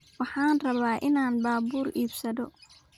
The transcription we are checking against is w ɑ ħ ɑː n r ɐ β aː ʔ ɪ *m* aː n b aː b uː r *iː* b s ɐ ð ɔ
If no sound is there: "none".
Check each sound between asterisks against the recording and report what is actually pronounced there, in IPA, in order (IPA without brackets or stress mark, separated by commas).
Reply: n, iː